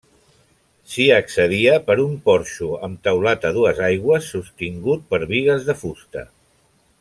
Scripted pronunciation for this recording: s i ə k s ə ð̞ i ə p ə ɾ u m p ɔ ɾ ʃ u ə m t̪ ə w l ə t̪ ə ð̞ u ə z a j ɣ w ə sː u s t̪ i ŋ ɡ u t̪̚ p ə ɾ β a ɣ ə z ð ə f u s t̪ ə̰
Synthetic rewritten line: s i ə k s ə ð̞ i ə p ə ɾ u m p ɔ ɾ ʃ u ə m t̪ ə w l a t̪ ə ð̞ u ə z a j ɣ w ə sː u s t̪ i ŋ ɡ u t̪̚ p ə ɾ β i ɣ ə z ð ə f u s t̪ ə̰